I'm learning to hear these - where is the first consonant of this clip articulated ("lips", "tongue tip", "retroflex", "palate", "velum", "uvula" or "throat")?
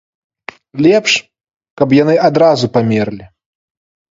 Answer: tongue tip